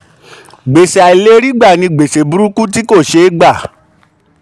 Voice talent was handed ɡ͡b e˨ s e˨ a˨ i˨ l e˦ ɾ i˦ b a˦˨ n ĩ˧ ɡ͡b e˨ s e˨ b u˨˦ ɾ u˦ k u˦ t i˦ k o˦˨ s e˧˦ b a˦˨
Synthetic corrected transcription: ɡ͡b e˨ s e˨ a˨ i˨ l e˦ ɾ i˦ ɡ͡b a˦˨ n ĩ˧ ɡ͡b e˨ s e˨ b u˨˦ ɾ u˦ k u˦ t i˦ k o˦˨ ʃ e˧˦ ɡ͡b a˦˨